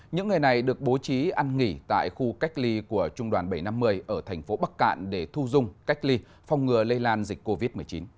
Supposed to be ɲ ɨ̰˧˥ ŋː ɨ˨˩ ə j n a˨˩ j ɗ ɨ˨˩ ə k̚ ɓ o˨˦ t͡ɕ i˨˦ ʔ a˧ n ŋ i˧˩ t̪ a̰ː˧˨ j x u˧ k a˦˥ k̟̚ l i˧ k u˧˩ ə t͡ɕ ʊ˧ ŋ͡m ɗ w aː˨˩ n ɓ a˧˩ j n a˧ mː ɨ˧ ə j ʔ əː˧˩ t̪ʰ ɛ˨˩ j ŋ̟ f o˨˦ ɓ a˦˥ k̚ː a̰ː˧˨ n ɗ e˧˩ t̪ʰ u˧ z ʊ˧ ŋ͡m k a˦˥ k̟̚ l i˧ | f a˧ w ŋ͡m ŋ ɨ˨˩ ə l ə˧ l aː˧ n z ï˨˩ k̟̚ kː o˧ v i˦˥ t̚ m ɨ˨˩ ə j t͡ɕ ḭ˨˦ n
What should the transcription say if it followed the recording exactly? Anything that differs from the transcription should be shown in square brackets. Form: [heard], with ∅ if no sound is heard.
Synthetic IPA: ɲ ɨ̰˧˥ ŋː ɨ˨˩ ə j n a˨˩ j ɗ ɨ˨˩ ə k̚ ɓ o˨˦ t͡ɕ i˨˦ ʔ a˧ n ŋ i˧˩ t̪ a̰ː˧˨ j x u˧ k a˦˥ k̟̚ l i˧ k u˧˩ ə t͡ɕ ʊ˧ ŋ͡m ɗ w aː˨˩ n ɓ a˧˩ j n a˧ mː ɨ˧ ə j ʔ əː˧˩ t̪ʰ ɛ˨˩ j ŋ̟ f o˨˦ ɓ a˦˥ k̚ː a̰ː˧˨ n ɗ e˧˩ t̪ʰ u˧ z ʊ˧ ŋ͡m k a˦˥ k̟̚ l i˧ | f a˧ w ŋ͡m ŋ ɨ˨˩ ə l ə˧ l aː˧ n z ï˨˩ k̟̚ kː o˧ v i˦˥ t̚ m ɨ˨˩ ə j t͡ɕ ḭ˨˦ n

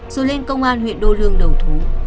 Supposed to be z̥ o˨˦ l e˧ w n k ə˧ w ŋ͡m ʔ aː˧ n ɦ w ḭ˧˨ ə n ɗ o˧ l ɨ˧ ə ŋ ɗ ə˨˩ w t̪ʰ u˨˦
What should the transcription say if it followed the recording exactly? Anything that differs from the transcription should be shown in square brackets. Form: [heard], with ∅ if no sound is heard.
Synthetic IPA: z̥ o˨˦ l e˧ [∅] n k ə˧ w ŋ͡m ʔ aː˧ n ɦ w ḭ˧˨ ə n ɗ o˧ l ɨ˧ ə ŋ ɗ ə˨˩ w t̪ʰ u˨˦

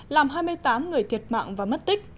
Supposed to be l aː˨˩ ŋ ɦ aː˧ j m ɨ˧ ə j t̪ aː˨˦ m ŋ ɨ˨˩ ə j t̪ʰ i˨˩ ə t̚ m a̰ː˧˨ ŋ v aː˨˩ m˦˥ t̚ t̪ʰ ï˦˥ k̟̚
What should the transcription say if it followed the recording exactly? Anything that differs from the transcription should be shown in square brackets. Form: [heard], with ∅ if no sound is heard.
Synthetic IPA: l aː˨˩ [m] ɦ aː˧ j m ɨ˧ ə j t̪ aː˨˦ m ŋ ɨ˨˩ ə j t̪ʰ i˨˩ ə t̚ m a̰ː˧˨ ŋ v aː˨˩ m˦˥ t̚ [t̪] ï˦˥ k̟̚

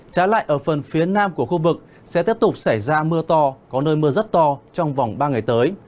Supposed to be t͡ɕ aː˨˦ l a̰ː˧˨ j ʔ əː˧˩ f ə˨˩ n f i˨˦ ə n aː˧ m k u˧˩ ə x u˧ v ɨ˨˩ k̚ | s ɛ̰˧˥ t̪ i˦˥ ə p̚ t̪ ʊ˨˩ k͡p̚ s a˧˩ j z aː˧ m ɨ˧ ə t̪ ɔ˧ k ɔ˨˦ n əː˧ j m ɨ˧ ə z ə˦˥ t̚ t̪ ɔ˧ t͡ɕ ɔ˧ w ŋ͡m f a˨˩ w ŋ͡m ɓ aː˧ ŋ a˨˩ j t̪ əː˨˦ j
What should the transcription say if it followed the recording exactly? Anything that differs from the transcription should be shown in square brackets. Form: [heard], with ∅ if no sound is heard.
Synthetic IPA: t͡ɕ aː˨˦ l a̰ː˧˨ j ʔ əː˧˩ f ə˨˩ n f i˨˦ ə n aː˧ m k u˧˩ ə x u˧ v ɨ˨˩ k̚ | s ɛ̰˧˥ t̪ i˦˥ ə p̚ t̪ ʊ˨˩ k͡p̚ s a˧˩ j z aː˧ m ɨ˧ ə t̪ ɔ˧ k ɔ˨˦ n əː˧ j m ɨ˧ ə z ə˦˥ t̚ t̪ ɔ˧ t͡ɕ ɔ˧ w ŋ͡m [v] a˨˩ w ŋ͡m ɓ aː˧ ŋ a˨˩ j t̪ əː˨˦ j

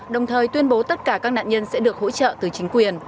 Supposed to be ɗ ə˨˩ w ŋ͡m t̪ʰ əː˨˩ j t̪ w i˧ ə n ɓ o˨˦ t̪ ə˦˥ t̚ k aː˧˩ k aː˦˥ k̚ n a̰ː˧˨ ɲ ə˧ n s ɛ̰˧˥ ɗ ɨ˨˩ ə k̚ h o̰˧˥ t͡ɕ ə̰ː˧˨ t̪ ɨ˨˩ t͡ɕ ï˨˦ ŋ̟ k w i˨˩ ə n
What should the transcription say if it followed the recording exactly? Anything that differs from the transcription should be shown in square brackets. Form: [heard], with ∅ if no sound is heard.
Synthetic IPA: ɗ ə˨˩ w ŋ͡m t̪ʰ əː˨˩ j t̪ w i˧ ə n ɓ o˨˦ t̪ ə˦˥ t̚ k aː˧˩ k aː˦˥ k̚ n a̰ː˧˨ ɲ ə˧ n s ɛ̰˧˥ ɗ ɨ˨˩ ə k̚ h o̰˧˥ t͡ɕ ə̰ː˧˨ t̪ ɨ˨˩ t͡ɕ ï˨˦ ŋ̟ k w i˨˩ ə n

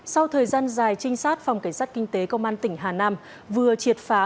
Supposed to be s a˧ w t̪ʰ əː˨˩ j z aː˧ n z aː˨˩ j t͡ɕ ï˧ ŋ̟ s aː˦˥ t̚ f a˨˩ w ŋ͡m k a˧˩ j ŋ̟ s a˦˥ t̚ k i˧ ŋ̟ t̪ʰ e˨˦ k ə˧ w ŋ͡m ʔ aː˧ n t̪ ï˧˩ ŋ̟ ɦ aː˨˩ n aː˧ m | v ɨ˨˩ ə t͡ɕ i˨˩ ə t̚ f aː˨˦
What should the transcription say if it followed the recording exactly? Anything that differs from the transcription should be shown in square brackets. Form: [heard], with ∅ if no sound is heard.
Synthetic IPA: s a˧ w t̪ʰ əː˨˩ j z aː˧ n z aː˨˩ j t͡ɕ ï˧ ŋ̟ s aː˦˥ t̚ f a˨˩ w ŋ͡m k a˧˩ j ŋ̟ s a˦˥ t̚ k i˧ ŋ̟ [t̪] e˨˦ k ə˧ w ŋ͡m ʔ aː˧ n t̪ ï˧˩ ŋ̟ ɦ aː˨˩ n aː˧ m | v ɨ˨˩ ə t͡ɕ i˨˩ ə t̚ f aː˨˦

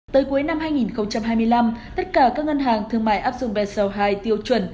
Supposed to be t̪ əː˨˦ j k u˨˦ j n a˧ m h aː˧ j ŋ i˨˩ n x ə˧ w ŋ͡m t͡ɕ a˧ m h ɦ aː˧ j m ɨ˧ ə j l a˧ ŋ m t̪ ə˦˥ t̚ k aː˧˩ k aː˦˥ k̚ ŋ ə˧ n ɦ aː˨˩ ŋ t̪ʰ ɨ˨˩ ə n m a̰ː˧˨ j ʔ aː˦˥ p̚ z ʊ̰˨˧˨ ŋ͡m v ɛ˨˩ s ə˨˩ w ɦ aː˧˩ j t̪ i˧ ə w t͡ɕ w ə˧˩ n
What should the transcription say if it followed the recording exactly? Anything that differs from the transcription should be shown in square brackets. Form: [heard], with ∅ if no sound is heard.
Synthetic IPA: t̪ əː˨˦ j k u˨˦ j n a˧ m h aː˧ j ŋ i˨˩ n x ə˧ w ŋ͡m t͡ɕ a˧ m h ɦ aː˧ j m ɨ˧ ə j l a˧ [∅] m t̪ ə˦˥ t̚ k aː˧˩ k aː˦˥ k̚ ŋ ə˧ n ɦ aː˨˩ ŋ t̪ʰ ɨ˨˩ ə [ŋ] m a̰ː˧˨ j ʔ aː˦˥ p̚ z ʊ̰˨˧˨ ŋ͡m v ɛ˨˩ s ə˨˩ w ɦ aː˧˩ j t̪ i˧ ə w t͡ɕ w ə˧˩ n

